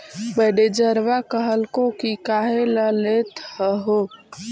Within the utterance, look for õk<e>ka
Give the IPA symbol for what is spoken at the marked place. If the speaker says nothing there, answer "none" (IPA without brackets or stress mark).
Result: i